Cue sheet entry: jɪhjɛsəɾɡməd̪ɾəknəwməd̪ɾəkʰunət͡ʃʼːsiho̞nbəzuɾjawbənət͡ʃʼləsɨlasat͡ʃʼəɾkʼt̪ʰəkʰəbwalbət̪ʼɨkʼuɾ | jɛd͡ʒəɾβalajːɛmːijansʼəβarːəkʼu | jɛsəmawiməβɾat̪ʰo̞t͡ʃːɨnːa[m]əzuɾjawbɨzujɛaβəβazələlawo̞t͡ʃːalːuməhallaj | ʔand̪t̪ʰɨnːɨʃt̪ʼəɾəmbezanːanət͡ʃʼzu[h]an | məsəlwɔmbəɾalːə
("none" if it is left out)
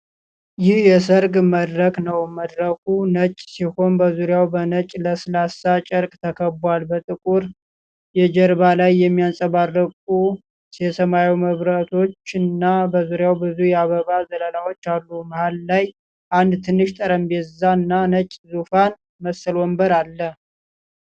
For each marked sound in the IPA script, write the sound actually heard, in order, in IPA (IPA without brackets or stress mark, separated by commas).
b, f